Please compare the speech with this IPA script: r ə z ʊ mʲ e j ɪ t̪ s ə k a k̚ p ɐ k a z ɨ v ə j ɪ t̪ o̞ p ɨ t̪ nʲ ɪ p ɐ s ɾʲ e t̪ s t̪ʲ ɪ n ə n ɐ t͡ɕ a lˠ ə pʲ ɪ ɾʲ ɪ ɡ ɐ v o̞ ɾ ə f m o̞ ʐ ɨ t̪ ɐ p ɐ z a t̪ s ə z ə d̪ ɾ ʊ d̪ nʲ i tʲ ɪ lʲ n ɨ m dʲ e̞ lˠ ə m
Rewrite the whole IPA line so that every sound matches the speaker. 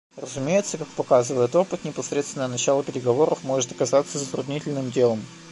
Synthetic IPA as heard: r ə z ʊ mʲ e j ɪ t̪ s ə k a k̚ p ɐ k a z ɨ v ə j ɪ t̪ o̞ p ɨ t̪ nʲ ɪ p ɐ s ɾʲ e t̪ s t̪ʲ ɪ n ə n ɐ t͡ɕ a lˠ ə pʲ ɪ ɾʲ ɪ ɡ ɐ v o̞ ɾ ə f m o̞ ʐ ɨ t̪ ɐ k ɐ z a t̪ s ə z ə t̪ ɾ ʊ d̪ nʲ i tʲ ɪ lʲ n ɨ m dʲ e̞ lˠ ə m